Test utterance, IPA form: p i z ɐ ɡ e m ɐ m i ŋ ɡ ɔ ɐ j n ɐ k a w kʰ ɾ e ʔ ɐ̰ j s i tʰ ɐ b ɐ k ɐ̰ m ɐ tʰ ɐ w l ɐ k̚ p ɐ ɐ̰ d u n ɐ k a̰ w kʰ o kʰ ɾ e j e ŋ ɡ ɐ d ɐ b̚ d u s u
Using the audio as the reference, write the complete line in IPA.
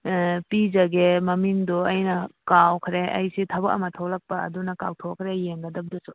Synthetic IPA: p i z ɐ ɡ e m ɐ m i ŋ d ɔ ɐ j n ɐ k a w kʰ ɾ e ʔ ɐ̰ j s i tʰ ɐ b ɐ k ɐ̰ m ɐ tʰ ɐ w l ɐ k̚ p ɐ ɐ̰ d u n ɐ k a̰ w tʰ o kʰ ɾ e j e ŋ ɡ ɐ d ɐ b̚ d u s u